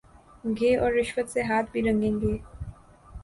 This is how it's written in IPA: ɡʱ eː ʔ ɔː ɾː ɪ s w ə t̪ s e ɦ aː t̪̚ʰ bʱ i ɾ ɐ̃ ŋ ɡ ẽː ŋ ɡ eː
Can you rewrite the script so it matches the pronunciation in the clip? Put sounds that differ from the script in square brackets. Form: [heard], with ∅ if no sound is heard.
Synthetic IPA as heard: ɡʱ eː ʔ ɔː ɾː ɪ [ʃ] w ə t̪ s e ɦ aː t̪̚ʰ bʱ i ɾ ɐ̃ ŋ ɡ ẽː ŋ ɡ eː

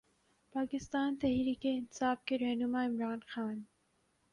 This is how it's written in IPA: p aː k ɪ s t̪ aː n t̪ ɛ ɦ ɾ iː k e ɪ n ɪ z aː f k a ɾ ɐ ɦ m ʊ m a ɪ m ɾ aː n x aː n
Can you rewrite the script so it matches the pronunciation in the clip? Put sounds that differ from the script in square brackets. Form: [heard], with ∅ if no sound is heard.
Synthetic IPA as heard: p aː k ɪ s t̪ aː n t̪ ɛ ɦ ɾ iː k e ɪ n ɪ [s] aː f k [e] ɾ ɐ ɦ [n] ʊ m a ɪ m ɾ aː n x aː n

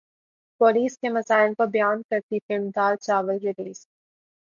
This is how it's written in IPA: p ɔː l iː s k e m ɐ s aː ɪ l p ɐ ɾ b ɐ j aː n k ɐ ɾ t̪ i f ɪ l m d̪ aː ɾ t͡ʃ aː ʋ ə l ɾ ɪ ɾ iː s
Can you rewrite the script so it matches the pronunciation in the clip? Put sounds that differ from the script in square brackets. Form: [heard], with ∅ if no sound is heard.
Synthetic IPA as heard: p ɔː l iː s k e m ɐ s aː ɪ l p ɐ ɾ b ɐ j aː n k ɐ ɾ t̪ i f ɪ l m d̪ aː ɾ t͡ʃ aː ʋ ə l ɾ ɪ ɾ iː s

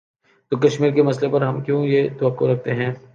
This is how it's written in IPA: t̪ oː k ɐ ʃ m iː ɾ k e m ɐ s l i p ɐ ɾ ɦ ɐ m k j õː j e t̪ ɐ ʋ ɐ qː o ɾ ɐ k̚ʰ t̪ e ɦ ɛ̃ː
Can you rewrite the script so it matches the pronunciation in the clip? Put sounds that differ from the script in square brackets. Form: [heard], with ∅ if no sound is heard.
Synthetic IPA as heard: t̪ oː k ɐ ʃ m iː ɾ k e m ɐ s l [e] p ɐ ɾ ɦ ɐ m k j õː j e t̪ ɐ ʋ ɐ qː o ɾ ɐ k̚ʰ t̪ e ɦ ɛ̃ː

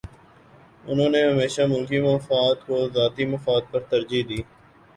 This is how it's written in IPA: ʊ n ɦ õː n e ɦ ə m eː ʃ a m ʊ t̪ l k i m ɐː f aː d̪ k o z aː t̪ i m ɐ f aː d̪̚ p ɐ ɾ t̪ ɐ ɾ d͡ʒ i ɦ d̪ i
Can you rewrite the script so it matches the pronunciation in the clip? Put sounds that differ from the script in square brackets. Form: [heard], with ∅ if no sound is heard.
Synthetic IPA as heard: ʊ n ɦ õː n e ɦ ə m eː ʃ a m ʊ [∅] l k i m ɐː f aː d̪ k o z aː t̪ i m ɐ f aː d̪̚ p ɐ ɾ t̪ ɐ ɾ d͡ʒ i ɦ d̪ [iː]

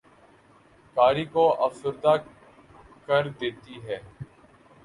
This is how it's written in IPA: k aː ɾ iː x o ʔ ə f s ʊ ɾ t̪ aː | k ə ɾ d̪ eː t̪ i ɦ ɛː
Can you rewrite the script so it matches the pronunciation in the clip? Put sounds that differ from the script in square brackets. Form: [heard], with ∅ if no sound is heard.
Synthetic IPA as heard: k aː ɾ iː [k] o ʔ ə f s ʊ ɾ [d̪] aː | k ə ɾ d̪ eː t̪ i ɦ ɛː

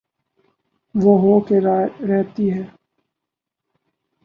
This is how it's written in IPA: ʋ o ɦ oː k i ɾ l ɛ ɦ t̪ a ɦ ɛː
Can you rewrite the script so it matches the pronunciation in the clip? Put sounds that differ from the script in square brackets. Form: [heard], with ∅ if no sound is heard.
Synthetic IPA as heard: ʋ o ɦ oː k [e] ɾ [ɾ] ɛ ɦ t̪ [i] ɦ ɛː

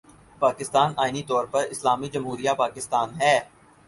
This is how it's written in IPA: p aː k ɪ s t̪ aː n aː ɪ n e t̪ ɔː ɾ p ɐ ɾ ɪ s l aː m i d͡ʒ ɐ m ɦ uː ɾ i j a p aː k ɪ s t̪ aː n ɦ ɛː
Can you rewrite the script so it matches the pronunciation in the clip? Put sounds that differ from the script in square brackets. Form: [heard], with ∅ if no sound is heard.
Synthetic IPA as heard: p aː k ɪ s t̪ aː n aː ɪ n [i] t̪ ɔː ɾ p ɐ ɾ ɪ s l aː m i d͡ʒ ɐ m ɦ uː ɾ i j a p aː k ɪ s t̪ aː n ɦ ɛː

